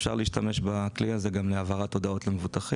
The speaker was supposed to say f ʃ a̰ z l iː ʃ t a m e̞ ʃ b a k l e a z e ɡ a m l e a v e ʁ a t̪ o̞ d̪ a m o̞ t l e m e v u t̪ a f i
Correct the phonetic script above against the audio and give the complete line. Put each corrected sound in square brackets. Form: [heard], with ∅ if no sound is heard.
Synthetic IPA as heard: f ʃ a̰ [ʁ] l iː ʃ t a m e̞ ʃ b a k l [i] a z e ɡ a m l e a v [a] ʁ a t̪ o̞ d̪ a [∅] o̞ t l e m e v u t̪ a [χ] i